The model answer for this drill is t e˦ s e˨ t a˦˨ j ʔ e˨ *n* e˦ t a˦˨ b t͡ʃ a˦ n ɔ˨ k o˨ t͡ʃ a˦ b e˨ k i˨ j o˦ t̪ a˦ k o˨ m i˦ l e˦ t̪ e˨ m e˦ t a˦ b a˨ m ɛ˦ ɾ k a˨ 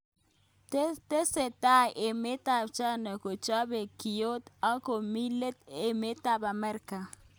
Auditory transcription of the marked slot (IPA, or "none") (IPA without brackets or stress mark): m